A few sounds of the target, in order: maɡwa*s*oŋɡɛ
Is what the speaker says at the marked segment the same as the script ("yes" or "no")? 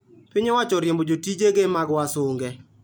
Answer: yes